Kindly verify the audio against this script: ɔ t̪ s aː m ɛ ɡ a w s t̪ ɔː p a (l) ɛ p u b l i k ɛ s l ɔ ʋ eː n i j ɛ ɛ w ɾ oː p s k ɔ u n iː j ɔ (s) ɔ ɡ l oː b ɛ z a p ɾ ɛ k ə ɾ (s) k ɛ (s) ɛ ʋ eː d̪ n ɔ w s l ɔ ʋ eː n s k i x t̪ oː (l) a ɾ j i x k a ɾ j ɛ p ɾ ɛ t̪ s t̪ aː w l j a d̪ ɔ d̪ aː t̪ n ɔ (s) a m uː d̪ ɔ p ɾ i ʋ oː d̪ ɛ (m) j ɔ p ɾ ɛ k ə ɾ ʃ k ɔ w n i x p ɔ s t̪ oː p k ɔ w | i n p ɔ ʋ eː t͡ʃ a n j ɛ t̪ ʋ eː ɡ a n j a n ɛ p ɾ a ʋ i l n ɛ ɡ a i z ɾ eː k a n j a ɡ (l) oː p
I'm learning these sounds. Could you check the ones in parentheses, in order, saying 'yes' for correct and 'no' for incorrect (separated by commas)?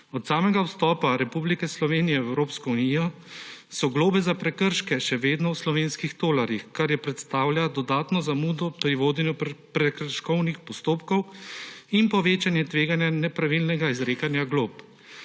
no, yes, no, no, yes, no, no, yes